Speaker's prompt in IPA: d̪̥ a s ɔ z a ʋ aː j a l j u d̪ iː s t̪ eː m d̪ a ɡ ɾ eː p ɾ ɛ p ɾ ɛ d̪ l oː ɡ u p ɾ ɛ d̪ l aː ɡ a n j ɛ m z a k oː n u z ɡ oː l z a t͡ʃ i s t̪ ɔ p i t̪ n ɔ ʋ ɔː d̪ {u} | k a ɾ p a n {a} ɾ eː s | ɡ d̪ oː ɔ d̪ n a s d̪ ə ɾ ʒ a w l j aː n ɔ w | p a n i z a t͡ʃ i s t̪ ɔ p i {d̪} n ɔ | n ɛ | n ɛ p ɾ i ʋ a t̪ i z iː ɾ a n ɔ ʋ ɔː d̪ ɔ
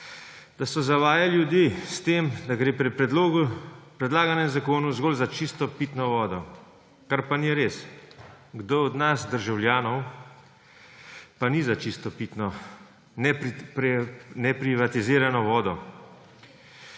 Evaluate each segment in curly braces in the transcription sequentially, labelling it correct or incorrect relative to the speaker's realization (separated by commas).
incorrect, incorrect, incorrect